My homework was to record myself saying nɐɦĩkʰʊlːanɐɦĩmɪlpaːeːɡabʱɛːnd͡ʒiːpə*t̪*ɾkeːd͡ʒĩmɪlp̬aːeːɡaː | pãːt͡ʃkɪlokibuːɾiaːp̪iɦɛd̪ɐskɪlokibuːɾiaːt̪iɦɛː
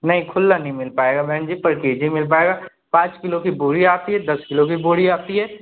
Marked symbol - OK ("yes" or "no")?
no